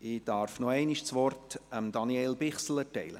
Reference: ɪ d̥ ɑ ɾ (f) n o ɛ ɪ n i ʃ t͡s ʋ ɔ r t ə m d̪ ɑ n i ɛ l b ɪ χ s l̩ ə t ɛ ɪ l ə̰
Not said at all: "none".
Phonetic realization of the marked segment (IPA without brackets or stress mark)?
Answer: f